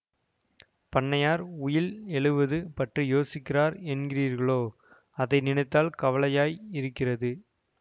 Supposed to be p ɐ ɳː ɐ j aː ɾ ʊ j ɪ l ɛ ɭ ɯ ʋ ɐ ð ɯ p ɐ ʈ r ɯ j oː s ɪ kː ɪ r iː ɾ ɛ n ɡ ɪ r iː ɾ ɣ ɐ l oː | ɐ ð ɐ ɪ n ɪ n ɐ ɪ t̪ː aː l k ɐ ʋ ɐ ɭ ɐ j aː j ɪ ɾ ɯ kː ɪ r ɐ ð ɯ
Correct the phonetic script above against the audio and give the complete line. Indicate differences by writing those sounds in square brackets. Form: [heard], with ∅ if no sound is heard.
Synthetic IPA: p ɐ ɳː ɐ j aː ɾ ʊ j ɪ l ɛ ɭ ɯ ʋ ɐ ð ɯ p ɐ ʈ r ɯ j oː s ɪ kː ɪ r [aː] ɾ ɛ n ɡ ɪ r iː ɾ ɣ ɐ [ɭ] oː | ɐ ð ɐ ɪ n ɪ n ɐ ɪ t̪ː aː l k ɐ ʋ ɐ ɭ ɐ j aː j ɪ ɾ ɯ kː ɪ r ɐ ð ɯ